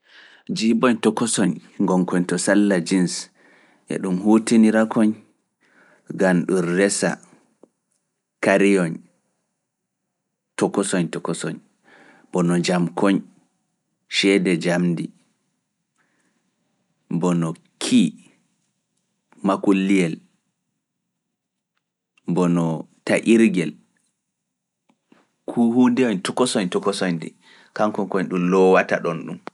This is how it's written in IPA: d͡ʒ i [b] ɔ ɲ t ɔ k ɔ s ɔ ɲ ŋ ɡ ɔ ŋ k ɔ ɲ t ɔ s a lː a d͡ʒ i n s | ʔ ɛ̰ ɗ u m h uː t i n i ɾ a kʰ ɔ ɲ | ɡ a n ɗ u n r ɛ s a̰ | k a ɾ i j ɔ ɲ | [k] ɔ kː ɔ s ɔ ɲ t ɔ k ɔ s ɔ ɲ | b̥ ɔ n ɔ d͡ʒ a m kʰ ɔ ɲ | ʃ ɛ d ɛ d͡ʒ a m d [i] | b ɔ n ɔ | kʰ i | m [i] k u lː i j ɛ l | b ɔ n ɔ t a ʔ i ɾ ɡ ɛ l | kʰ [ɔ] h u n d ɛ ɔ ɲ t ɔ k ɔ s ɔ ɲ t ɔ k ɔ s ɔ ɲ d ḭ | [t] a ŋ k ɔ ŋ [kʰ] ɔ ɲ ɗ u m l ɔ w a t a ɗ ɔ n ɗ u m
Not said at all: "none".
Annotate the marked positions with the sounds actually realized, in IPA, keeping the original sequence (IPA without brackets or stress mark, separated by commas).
b, t, i, a, u, k, k